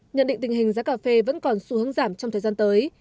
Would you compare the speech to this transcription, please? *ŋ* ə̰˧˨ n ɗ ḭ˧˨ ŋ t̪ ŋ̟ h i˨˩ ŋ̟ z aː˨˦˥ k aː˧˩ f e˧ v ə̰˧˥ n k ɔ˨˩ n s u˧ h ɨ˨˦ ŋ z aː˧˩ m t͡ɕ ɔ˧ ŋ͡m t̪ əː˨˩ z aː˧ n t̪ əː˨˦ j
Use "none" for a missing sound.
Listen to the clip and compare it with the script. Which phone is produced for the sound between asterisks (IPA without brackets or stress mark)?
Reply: ɲ